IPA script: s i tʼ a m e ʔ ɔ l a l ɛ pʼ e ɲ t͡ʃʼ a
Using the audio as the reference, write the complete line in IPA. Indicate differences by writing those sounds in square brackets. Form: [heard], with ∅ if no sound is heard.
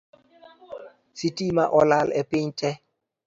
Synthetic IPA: s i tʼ [i] m [a] ʔ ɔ l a l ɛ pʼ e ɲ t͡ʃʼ [ɛ]